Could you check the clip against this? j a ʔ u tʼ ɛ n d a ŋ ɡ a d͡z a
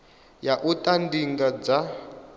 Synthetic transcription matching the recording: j a ʔ u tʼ a n d i ŋ ɡ a d͡z a